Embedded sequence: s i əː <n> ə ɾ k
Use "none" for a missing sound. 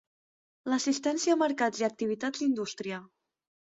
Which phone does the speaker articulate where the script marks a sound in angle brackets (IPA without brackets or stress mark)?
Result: m